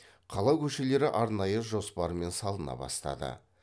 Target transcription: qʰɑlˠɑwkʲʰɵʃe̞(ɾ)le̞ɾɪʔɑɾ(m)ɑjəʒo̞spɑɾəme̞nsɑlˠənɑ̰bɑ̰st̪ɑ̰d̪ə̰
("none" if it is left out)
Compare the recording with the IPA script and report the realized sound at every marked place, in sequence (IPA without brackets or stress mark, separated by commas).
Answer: none, n